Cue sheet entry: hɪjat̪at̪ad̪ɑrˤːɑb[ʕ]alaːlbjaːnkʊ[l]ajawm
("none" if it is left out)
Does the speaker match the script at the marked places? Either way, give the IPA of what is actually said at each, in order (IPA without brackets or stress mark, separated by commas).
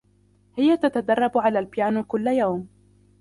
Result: ʕ, lː